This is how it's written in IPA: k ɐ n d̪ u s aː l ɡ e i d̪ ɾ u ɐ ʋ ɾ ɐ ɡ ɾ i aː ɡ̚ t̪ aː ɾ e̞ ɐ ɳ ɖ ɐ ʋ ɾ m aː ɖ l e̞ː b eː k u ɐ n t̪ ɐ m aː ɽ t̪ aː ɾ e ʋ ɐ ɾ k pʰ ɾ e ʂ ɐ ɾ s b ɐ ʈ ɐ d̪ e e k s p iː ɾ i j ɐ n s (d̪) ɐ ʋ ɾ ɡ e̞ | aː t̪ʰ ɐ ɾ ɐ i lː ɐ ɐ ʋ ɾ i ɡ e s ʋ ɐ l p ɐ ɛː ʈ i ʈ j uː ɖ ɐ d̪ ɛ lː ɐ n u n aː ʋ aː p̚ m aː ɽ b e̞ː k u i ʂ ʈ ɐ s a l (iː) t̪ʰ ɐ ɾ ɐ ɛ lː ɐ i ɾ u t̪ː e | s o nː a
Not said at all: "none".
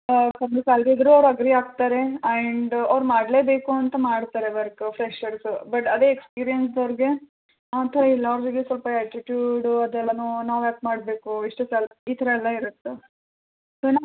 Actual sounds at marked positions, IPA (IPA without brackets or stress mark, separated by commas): d̪, iː